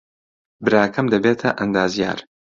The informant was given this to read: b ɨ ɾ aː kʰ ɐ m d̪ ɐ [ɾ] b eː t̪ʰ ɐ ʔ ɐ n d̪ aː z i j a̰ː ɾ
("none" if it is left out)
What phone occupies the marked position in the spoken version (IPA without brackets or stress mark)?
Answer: none